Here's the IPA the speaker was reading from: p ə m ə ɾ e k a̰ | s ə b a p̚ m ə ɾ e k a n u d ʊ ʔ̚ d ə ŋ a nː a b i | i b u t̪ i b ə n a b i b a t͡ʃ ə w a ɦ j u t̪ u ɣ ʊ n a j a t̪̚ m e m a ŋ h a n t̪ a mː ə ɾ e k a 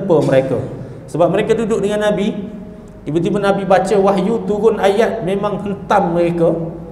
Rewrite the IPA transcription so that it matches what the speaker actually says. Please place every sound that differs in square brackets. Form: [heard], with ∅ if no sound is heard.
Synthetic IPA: p ə m ə ɾ e k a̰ | s ə b a p̚ m ə ɾ e k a [d] u d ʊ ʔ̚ d ə ŋ a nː a b i | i b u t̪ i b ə n a b i b a t͡ʃ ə w a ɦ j u t̪ u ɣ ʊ n a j a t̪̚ m e m a ŋ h [ə] n t̪ a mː ə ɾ e k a